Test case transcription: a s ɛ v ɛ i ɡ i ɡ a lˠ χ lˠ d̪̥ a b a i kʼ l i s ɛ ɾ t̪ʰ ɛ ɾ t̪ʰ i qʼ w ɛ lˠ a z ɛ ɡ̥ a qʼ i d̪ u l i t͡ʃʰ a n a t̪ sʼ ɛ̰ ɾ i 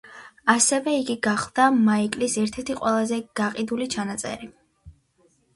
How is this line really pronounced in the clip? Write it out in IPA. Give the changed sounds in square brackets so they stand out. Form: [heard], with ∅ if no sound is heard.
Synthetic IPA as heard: a s ɛ v ɛ i ɡ i ɡ a [∅] χ lˠ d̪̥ a [m] a i kʼ l i s ɛ ɾ t̪ʰ ɛ ɾ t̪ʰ i qʼ w ɛ lˠ a z ɛ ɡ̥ a qʼ i d̪ u l i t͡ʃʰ a n a t̪ sʼ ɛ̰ ɾ i